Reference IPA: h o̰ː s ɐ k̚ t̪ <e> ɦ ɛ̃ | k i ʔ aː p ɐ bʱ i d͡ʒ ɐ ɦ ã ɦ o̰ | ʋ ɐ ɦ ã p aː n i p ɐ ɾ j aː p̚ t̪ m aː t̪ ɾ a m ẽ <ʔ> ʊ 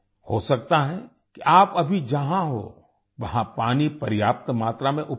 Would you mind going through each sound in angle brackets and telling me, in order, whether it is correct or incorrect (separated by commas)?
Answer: incorrect, correct